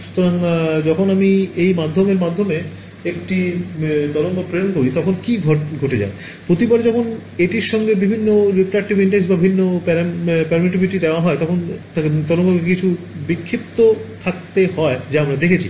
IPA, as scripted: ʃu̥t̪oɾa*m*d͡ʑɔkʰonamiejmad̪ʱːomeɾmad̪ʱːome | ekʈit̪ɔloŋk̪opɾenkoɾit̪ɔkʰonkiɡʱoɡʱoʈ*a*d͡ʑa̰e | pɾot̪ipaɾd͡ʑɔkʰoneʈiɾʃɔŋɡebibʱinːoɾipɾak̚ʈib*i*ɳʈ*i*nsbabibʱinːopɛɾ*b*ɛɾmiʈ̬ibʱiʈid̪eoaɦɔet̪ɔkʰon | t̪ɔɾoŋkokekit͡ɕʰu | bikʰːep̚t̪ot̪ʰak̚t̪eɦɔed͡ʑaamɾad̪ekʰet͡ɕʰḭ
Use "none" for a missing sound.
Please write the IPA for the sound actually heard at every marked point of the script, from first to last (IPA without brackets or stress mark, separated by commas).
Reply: ŋ, e, i, e, p